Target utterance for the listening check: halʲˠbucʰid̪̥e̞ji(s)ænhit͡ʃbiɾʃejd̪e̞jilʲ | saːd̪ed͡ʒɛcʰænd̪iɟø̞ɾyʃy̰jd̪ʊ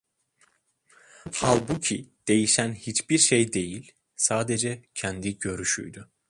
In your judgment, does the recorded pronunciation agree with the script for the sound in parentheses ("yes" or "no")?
no